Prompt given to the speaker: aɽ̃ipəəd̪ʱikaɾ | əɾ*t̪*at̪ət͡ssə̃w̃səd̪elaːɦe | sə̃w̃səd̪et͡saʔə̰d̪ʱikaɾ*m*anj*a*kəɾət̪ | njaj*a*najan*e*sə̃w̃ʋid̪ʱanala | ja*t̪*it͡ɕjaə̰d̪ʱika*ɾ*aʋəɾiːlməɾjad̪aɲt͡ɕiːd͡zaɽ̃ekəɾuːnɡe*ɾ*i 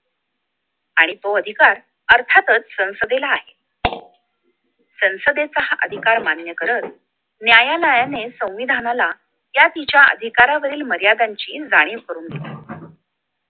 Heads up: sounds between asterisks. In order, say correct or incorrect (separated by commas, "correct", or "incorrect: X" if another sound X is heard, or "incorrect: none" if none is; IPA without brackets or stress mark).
incorrect: t̪ʰ, correct, incorrect: ə, correct, correct, correct, correct, incorrect: l